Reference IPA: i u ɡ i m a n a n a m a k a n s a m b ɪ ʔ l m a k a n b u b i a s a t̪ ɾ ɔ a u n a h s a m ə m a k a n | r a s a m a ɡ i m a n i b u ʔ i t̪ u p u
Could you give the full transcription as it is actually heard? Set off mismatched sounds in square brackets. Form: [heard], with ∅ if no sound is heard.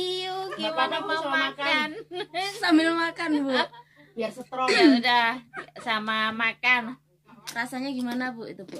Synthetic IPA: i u ɡ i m a n a [m] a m a k a n s a m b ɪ [∅] l m a k a n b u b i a s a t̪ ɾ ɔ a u [d] a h s a m [a] m a k a n | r a s a [ɲ] a ɡ i m a n [a] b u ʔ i t̪ u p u